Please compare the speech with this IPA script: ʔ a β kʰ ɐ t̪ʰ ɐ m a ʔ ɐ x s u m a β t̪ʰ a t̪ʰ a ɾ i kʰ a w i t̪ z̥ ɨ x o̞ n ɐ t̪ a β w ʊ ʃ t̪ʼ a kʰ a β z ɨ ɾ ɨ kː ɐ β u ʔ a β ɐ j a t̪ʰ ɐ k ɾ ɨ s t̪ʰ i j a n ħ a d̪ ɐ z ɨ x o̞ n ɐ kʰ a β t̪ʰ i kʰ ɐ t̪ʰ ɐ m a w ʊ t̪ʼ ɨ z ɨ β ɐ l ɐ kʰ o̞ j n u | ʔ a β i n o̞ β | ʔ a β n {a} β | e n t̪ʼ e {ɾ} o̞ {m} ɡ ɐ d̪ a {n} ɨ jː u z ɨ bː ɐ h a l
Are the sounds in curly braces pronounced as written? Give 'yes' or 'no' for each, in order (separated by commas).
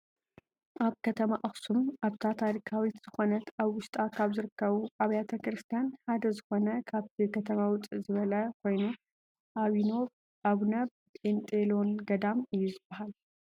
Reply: no, no, no, no